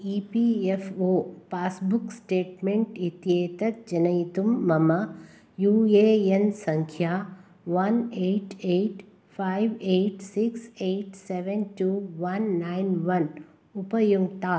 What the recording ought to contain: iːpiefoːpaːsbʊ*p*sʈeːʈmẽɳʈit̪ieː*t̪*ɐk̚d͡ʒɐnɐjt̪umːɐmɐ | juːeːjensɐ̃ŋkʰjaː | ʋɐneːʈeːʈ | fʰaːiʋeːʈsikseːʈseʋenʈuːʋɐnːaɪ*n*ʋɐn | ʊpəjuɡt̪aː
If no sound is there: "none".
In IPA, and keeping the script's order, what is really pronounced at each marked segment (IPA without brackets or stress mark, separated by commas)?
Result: k, t̪, n